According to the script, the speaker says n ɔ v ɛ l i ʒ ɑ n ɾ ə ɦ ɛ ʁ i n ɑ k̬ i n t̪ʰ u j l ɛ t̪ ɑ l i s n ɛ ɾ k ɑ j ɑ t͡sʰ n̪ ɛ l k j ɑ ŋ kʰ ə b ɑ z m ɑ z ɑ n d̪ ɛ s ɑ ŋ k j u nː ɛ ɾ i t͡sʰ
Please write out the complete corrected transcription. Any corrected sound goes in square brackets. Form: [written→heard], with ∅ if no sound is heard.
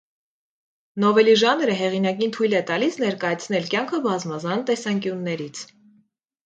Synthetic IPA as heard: n ɔ v ɛ l i ʒ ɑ n ɾ ə ɦ ɛ ʁ i n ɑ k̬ i n t̪ʰ u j l ɛ t̪ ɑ l i s n ɛ ɾ k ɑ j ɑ t͡sʰ n̪ ɛ l k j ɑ ŋ kʰ ə b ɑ z m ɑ z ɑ n [d̪→t̪] ɛ s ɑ ŋ k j u nː ɛ ɾ i t͡sʰ